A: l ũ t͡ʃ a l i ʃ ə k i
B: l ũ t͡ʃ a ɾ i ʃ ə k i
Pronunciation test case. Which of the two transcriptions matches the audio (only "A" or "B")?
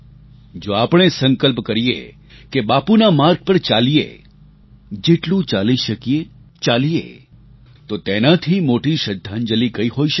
A